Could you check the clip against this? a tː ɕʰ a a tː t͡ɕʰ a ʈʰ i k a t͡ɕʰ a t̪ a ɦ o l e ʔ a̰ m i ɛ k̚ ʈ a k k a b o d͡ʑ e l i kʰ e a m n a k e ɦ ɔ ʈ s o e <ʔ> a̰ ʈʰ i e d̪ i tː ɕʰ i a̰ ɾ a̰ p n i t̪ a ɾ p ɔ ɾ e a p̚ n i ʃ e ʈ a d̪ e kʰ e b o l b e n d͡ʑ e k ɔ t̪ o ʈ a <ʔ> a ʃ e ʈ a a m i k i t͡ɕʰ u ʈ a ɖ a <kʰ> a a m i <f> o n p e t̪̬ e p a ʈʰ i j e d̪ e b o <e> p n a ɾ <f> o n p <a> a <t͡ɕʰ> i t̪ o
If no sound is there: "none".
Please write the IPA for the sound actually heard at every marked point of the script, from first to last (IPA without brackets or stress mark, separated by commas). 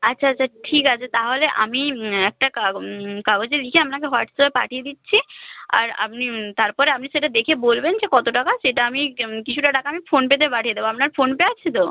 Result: p, k, k, f, a, f, e, t͡ɕʰ